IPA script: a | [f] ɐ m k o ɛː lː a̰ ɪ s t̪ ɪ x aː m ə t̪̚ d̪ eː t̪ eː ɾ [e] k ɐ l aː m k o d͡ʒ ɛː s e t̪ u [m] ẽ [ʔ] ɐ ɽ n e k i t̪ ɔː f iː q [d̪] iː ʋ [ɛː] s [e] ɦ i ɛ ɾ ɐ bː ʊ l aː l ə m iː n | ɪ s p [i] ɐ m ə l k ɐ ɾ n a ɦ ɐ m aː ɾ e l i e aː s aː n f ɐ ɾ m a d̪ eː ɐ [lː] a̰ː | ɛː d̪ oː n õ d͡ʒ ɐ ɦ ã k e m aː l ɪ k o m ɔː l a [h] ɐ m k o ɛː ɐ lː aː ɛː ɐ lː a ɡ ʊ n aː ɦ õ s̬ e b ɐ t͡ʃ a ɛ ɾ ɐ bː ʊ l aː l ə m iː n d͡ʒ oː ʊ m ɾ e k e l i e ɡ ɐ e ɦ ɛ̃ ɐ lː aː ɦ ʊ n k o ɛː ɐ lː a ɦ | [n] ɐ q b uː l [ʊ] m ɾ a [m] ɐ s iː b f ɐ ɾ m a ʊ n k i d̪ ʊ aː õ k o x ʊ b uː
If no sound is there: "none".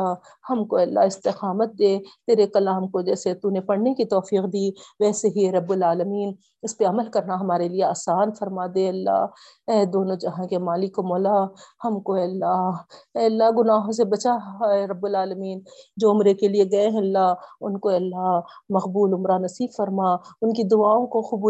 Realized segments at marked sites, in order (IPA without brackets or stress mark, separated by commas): h, e, n, p, d̪, ɛː, e, e, lː, h, m, ʊ, n